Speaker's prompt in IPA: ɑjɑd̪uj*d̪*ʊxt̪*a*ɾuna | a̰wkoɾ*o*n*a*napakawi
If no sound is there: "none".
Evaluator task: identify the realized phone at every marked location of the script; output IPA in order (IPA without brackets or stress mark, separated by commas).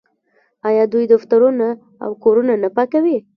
d̪, a, u, a